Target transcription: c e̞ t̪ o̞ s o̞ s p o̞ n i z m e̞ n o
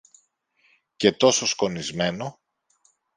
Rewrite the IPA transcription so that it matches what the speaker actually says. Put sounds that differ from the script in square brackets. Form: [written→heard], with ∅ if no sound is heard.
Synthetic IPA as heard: c e̞ t̪ o̞ s o̞ s [p→k] o̞ n i z m e̞ n o